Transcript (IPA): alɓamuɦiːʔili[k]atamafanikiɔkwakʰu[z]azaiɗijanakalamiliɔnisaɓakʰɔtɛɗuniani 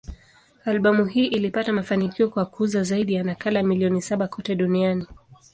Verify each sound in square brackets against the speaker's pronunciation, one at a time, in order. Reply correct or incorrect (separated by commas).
incorrect, correct